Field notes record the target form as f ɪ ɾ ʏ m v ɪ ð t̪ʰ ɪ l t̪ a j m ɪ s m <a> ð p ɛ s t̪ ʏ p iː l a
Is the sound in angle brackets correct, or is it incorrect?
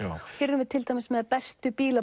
incorrect